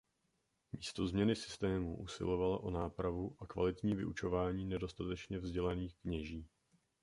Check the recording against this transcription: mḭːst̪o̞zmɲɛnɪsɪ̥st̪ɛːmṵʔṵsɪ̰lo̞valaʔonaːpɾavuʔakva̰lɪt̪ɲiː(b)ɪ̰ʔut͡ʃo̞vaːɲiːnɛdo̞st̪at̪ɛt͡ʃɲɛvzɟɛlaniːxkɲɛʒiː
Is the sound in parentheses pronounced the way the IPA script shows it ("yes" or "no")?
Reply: no